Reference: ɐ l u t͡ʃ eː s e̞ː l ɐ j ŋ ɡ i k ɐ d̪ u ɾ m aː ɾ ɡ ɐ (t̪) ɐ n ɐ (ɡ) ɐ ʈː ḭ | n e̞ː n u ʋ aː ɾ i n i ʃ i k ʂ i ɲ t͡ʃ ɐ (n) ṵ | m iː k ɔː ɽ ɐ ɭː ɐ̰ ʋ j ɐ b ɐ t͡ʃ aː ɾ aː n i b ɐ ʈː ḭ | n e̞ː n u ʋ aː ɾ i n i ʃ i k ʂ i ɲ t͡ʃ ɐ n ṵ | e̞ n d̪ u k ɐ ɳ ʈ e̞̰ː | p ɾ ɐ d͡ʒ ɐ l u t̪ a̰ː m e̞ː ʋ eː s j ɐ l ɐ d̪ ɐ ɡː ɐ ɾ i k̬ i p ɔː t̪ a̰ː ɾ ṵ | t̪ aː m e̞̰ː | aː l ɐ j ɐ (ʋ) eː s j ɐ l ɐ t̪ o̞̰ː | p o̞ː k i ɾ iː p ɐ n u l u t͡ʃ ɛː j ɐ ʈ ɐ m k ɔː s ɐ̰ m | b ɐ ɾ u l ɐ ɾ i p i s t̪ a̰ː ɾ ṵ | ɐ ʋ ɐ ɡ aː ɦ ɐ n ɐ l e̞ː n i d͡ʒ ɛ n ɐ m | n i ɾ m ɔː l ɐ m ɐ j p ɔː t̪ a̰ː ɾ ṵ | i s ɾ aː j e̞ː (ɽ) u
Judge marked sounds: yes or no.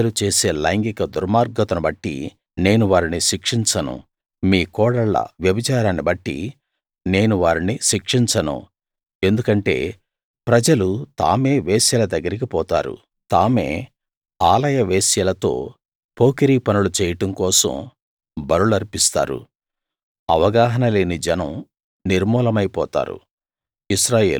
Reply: yes, no, yes, yes, no

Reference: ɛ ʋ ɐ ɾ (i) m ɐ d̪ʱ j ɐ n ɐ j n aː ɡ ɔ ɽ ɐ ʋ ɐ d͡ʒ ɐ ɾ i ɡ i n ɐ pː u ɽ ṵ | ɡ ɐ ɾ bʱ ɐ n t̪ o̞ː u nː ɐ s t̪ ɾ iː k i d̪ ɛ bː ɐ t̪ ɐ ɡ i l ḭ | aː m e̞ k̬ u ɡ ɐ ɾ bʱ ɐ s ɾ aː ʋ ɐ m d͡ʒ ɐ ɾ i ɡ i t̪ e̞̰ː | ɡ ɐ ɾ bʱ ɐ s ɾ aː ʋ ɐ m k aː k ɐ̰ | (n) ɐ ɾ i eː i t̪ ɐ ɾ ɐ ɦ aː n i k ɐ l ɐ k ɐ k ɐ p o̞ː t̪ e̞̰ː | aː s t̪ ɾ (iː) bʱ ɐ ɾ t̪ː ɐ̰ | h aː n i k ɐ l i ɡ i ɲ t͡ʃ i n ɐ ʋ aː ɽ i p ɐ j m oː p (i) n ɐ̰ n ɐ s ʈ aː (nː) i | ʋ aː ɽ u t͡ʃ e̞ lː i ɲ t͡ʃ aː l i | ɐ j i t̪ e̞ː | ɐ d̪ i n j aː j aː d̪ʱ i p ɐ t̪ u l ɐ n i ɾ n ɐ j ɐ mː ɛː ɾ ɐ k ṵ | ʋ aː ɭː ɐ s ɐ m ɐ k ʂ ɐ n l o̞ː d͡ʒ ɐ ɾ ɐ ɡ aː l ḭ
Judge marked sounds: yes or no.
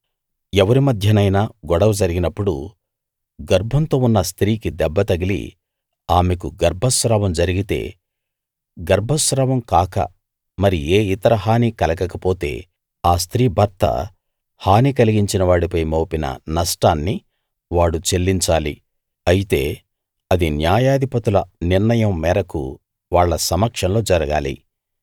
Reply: yes, no, yes, yes, yes

